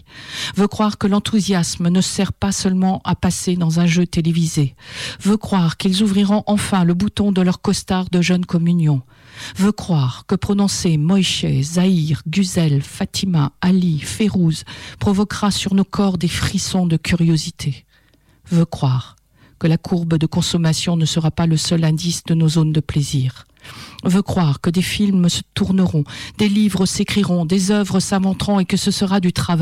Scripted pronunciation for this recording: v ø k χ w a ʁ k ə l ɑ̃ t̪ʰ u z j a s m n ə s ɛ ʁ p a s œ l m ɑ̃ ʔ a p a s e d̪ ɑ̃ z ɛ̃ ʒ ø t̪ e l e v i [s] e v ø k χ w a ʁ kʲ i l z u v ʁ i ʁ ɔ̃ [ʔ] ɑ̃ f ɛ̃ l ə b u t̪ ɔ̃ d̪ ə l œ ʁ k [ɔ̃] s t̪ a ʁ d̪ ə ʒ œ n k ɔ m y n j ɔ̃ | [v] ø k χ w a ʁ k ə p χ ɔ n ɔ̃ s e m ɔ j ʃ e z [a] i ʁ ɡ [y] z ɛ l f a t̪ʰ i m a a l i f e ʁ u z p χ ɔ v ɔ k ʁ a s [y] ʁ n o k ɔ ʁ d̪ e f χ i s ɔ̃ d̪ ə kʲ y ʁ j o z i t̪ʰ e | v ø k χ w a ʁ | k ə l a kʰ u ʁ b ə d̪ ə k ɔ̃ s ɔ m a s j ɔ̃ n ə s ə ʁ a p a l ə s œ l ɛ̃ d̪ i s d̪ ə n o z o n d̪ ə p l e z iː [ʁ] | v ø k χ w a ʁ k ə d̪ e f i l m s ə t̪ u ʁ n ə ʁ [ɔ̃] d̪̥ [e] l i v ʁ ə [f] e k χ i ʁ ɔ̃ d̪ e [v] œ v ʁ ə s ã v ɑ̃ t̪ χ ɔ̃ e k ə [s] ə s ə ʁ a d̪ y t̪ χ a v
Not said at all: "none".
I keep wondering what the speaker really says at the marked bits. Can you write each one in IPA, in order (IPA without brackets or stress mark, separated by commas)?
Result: z, ʔ, ɔ, v, a, y, y, ʁ, ɔ̃, e, s, z, s